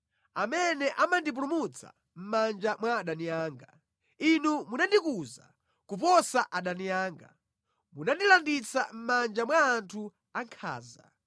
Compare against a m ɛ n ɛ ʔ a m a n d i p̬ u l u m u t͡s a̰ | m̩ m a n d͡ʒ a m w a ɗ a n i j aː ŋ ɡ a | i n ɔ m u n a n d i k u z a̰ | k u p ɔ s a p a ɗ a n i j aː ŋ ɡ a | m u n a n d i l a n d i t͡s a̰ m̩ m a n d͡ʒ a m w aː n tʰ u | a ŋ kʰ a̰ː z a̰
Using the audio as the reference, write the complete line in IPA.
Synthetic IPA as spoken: a m ɛ n ɛ ʔ a m a n d i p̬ u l u m u t͡s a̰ | m̩ m a n d͡ʒ a m w a ɗ a n i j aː ŋ ɡ a | i n u m u n a n d i k u z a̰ | k u p ɔ s a ʔ a ɗ a n i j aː ŋ ɡ a | m u n a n d i l a n d i t͡s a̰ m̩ m a n d͡ʒ a m w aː n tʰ u | a ŋ kʰ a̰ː z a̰